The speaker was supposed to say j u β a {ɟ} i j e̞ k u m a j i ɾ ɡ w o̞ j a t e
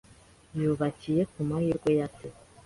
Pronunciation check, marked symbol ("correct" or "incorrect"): incorrect